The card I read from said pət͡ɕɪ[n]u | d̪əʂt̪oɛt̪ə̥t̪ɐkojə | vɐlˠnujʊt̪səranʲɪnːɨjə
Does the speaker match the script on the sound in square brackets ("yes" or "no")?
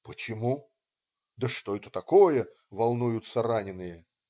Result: no